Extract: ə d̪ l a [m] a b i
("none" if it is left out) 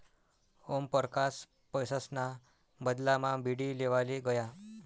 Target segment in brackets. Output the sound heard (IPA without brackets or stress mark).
m